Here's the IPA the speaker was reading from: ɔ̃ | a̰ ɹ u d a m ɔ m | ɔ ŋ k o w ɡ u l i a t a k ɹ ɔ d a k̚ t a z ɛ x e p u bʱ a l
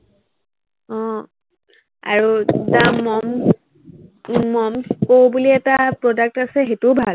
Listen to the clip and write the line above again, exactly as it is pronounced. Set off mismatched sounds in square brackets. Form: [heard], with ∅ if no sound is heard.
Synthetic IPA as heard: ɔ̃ | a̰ ɹ u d a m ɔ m | ɔ [m] k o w [b] u l i [ɛ] t a [p] ɹ ɔ d a k̚ t a [s] ɛ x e [t] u bʱ a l